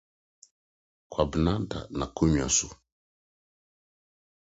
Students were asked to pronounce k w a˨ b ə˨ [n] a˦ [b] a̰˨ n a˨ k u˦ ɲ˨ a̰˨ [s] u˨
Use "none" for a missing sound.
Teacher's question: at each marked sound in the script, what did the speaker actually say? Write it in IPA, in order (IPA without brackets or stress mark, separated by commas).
n, d, s